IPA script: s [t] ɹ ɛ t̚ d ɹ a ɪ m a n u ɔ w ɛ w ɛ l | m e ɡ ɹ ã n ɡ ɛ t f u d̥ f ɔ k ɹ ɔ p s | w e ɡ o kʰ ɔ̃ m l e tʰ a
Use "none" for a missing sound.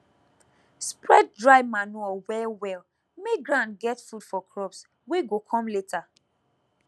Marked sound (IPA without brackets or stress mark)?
p